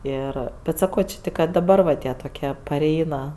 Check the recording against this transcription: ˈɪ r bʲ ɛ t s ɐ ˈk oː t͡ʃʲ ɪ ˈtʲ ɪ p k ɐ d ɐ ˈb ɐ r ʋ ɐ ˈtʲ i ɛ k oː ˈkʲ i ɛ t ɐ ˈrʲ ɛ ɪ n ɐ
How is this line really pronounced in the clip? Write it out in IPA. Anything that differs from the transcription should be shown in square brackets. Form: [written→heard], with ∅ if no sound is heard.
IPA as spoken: ˈɪ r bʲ ɛ t s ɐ ˈk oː t͡ʃʲ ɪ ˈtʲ ɪ [p→k] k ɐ d ɐ ˈb ɐ r ʋ ɐ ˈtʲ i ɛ [k→t] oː ˈkʲ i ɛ [t→p] ɐ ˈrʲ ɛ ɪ n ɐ